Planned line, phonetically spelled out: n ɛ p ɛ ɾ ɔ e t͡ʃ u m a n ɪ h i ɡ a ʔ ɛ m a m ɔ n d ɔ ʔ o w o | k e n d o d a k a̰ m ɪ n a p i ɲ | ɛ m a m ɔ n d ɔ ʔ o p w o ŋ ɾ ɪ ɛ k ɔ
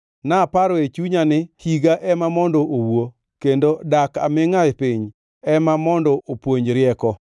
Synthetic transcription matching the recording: n a p a ɾ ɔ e t͡ʃ u ɲ a n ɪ h i ɡ a ʔ ɛ m a m ɔ n d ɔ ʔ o w o | k e n d o d a k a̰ m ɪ ŋ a p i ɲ | ɛ m a m ɔ n d ɔ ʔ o p w o ɲ ɾ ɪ ɛ k ɔ